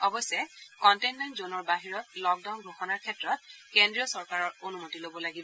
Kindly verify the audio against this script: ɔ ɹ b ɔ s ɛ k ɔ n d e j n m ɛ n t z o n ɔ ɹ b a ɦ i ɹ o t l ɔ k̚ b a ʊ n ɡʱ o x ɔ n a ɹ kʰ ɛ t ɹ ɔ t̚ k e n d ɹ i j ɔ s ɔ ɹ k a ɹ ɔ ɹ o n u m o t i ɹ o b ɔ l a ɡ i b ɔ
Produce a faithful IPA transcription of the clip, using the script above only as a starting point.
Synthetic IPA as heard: ɔ b ɔ s ɛ k ɔ n t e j n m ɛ n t z o n ɔ ɹ b a ɦ i ɹ ɔ t l ɔ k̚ d a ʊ n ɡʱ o x ɔ n a ɹ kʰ ɛ t ɹ ɔ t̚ k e n d ɹ i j ɔ s ɔ ɹ k a ɹ ɔ ɹ o n u m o t i l o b ɔ l a ɡ i b ɔ

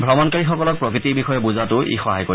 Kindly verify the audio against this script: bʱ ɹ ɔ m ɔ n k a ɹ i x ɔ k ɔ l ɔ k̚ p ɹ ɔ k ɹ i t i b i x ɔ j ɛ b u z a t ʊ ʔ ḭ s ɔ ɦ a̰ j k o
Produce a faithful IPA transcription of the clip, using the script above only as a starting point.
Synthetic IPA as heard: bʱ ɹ ɔ m ɔ n k a ɹ i x ɔ k ɔ l ɔ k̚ p ɹ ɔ k ɹ i t i b i x ɔ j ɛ b u z a t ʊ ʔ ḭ x ɔ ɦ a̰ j k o

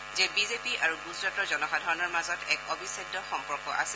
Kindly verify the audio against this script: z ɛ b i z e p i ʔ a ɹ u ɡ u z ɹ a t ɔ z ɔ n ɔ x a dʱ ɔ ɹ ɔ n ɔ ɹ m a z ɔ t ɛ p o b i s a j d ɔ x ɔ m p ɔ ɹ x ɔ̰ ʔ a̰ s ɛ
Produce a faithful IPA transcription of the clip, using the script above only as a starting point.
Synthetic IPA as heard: z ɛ b i z e p i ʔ a ɹ u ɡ u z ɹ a t ɔ z ɔ n ɔ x a dʱ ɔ ɹ ɔ n ɔ ɹ m a z ɔ t ɛ k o b i s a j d ɔ x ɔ m p ɔ ɹ k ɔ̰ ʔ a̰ s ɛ

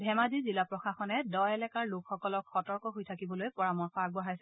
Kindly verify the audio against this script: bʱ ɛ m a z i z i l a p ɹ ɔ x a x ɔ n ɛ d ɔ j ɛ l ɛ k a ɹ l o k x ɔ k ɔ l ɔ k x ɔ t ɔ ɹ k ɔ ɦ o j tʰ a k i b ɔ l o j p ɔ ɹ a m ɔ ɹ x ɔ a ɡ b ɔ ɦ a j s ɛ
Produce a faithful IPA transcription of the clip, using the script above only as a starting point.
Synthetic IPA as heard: bʱ ɛ m a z i z i l a p ɹ ɔ x a x ɔ n ɛ d ɔ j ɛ l ɛ k a ɹ l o k x ɔ k ɔ l ɔ k x ɔ t ɔ ɹ k ɔ ɦ o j tʰ a k i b ɔ l o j p ɔ ɹ a m ɔ ɹ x ɔ a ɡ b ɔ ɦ a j s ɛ

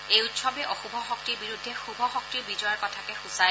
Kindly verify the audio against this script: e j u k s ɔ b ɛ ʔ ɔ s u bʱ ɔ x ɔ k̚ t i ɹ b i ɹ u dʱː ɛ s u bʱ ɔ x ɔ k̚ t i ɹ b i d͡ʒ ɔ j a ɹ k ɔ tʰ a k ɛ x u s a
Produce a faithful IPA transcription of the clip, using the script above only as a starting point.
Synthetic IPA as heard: e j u t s ɔ b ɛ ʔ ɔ x u bʱ ɔ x ɔ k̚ t i ɹ b i ɹ u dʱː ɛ x u bʱ ɔ x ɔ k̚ t i ɹ b i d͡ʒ ɔ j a ɹ k ɔ tʰ a k ɛ x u s a

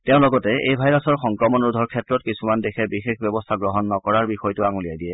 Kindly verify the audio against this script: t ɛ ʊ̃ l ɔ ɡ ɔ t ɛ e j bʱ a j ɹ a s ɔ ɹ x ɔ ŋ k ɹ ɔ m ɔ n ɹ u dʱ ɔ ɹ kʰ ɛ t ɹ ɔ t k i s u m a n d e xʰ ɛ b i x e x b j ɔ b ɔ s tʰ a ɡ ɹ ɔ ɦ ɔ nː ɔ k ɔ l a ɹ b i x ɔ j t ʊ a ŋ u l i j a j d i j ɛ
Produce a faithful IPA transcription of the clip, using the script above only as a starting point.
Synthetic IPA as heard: t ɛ ʊ̃ l ɔ ɡ ɔ t ɛ e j bʱ a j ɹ a s ɔ ɹ x ɔ ŋ k ɹ ɔ m ɔ n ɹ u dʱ ɔ ɹ kʰ ɛ t ɹ ɔ t k i s u m a n d e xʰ ɛ b i x e x b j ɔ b ɔ s tʰ a ɡ ɹ ɔ ɦ ɔ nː ɔ k ɔ ɹ a ɹ b i x ɔ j t ʊ a ŋ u l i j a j d i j ɛ

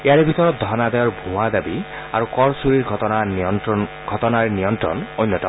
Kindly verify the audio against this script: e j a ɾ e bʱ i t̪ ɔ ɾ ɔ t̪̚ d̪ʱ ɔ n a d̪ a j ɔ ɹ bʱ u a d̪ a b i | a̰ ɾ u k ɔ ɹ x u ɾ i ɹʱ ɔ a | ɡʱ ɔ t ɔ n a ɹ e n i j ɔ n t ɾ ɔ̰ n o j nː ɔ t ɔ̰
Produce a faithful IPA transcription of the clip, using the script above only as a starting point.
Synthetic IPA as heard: e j a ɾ e bʱ i t̪ ɔ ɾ ɔ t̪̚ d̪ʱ ɔ n a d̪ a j ɔ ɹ bʱ u a d̪ a b i | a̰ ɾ u k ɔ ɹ s u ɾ i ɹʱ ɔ a | ɡʱ ɔ t ɔ n a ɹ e n i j ɔ n t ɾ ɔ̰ n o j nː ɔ t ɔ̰

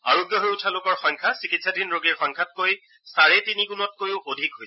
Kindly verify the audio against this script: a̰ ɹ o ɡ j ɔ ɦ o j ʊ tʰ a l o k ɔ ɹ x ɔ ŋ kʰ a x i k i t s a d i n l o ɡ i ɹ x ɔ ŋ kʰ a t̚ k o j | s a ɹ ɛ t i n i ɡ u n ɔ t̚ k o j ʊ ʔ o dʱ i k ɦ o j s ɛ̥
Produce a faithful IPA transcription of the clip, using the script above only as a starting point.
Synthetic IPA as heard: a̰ ɹ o ɡ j ɔ ɦ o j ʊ tʰ a l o k ɔ ɹ x ɔ ŋ kʰ a s i k i t s a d i n ɹ o ɡ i ɹ x ɔ ŋ kʰ a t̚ k o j | s a ɹ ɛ t i n i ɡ u n ɔ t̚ k o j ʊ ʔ o dʱ i k ɦ o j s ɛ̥

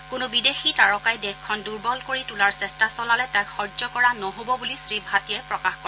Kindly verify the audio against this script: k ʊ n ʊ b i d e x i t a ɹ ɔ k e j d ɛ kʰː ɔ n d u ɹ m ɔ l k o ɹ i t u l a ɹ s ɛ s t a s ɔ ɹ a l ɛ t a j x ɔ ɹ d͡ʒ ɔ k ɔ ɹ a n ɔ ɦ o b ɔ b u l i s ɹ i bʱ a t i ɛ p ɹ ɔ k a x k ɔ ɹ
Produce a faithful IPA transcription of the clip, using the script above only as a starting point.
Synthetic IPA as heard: k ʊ n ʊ b i d e x i t a ɹ ɔ k a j d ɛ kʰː ɔ n d u ɹ b ɔ l k o ɹ i t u l a ɹ s ɛ s t a s ɔ l a l ɛ t a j x ɔ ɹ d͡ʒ ɔ k ɔ ɹ a n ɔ ɦ o b ɔ b u l i s ɹ i bʱ a t i ɛ p ɹ ɔ k a x k ɔ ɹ

